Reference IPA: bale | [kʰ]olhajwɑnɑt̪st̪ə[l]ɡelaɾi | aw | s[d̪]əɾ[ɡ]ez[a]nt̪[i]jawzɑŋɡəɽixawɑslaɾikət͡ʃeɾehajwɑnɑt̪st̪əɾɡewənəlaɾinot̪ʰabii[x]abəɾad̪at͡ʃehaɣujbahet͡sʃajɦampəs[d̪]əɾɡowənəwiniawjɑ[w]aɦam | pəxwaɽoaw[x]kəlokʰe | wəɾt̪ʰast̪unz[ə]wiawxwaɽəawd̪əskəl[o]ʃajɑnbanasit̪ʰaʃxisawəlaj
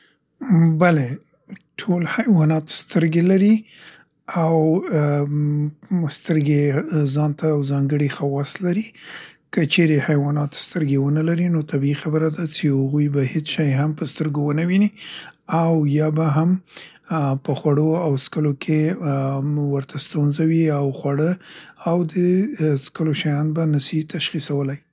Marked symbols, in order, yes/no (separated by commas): no, no, no, yes, no, no, yes, no, no, no, no, yes